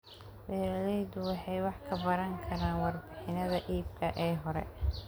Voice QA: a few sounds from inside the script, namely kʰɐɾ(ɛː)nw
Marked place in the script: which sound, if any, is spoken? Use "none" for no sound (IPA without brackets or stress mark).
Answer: aː